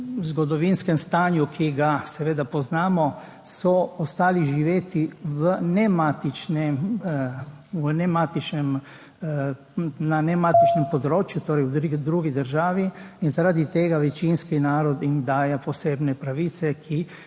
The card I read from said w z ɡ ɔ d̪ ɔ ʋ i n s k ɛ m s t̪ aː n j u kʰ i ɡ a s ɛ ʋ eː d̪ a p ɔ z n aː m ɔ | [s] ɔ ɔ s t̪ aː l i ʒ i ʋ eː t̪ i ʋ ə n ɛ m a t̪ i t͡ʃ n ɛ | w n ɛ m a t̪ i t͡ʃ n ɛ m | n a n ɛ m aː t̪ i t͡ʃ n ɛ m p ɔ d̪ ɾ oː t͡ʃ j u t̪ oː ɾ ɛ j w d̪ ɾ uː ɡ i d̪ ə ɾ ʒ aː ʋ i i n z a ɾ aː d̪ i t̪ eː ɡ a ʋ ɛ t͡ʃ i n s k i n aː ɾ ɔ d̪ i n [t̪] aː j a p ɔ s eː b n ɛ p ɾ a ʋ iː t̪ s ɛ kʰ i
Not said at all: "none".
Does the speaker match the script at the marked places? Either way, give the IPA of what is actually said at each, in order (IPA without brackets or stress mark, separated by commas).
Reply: s, d̪